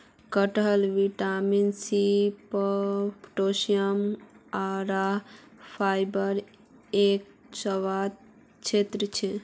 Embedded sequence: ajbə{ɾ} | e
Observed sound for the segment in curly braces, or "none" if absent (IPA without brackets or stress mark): ɾ